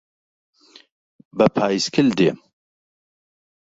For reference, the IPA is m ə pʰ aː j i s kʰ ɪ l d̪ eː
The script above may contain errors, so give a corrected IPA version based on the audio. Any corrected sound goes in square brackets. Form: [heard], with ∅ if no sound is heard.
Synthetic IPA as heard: [b] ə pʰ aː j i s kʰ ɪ l d̪ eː